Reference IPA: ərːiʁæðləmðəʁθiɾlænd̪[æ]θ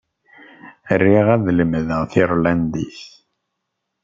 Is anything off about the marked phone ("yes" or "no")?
yes